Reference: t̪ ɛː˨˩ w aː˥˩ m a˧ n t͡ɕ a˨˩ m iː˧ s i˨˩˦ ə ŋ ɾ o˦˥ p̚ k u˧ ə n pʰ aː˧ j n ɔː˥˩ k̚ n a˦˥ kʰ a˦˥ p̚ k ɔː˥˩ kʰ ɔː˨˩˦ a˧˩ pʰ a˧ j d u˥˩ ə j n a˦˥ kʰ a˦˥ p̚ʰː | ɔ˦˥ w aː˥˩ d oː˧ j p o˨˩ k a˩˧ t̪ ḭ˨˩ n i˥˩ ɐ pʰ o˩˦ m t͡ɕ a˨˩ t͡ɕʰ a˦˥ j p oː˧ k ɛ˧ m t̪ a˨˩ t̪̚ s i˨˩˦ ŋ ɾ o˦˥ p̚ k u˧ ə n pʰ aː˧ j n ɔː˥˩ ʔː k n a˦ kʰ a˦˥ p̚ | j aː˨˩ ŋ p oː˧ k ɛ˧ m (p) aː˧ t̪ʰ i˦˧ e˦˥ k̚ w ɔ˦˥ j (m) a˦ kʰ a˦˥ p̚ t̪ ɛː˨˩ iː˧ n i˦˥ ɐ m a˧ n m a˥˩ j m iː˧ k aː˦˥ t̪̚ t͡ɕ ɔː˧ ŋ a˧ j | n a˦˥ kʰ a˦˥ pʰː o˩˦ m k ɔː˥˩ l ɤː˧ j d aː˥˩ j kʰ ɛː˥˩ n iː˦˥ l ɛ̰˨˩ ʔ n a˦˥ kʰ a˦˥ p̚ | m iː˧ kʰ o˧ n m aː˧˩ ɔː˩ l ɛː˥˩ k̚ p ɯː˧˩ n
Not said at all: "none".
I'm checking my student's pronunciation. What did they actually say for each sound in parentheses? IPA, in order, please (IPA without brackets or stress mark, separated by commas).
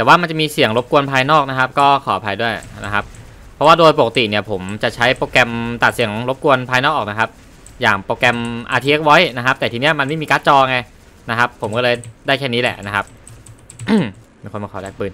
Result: ʔ, n